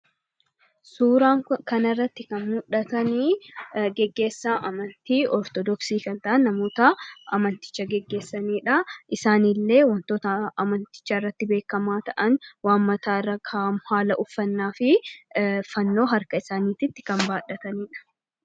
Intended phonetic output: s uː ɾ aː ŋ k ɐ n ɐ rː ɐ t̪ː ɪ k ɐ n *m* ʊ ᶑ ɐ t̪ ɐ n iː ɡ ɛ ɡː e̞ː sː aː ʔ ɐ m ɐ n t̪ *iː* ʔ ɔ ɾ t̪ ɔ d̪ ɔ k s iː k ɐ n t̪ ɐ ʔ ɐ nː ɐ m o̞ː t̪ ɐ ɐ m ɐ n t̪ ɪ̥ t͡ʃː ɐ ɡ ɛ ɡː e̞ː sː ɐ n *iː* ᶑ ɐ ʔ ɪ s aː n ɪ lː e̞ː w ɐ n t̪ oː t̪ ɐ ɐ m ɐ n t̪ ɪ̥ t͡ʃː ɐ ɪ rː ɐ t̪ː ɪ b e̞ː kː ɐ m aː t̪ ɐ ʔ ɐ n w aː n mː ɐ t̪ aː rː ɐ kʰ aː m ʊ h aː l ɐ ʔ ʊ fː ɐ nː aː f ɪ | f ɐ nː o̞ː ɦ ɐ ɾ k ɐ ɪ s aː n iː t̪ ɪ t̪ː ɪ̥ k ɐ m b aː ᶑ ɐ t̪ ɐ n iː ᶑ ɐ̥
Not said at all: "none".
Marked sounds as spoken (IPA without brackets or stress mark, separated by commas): m, iː, iː